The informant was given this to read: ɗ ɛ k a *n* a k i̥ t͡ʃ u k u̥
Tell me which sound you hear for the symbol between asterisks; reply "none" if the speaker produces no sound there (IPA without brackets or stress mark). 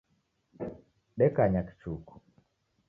ɲ